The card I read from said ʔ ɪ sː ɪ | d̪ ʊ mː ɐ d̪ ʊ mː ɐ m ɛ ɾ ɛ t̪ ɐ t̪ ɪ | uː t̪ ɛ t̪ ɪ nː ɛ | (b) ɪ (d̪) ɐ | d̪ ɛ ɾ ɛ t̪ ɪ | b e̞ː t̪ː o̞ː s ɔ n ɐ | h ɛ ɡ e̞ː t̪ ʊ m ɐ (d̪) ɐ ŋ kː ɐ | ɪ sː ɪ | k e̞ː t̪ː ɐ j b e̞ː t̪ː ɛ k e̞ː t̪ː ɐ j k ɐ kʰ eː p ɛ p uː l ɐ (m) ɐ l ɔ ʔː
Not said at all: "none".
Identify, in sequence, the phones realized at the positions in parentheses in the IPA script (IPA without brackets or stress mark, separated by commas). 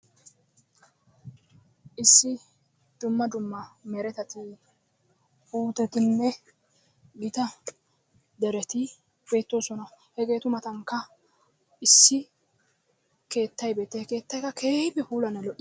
ɡ, t̪, t̪, n